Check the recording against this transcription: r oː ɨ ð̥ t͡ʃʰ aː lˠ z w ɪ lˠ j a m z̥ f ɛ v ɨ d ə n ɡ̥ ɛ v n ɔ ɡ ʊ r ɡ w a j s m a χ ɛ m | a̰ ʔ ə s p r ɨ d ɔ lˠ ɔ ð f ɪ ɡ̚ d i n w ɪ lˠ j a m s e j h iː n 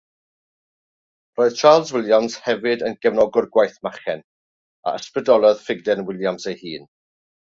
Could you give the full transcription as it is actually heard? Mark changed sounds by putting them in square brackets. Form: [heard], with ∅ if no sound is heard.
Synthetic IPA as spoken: r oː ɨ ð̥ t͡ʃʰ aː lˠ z w ɪ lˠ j a m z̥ [h] ɛ v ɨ d ə n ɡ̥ ɛ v n ɔ ɡ ʊ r ɡ w a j [θ] m a χ ɛ [n] | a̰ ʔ ə s p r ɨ d ɔ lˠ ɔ ð f ɪ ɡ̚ d [ɛ] n w ɪ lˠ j a m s e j h iː n